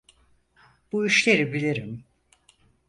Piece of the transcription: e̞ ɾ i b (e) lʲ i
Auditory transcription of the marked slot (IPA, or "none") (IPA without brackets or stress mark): i